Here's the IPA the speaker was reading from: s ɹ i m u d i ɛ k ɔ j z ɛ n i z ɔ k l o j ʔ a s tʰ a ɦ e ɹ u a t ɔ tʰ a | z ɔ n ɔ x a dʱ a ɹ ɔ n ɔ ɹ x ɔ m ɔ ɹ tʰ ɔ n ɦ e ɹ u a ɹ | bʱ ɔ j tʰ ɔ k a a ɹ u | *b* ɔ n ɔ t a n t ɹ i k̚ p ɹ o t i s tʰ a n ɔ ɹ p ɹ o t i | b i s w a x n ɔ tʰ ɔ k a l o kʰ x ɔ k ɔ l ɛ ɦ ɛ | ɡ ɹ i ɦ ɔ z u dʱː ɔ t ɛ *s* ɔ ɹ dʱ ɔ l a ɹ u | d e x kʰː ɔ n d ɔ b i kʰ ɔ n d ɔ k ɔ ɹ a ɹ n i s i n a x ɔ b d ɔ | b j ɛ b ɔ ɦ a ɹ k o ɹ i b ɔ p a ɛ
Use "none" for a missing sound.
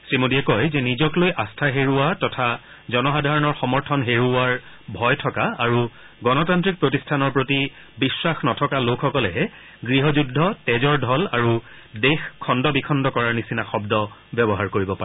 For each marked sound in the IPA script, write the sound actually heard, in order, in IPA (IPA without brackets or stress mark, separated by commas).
ɡ, z